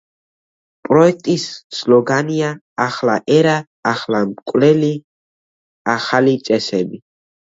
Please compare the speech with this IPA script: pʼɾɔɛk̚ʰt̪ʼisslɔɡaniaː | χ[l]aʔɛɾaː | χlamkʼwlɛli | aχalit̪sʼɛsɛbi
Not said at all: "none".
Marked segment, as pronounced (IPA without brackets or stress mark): l